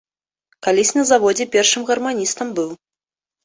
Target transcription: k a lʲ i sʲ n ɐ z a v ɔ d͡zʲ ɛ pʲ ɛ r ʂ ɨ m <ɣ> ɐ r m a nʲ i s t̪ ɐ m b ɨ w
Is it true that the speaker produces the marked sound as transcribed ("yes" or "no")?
yes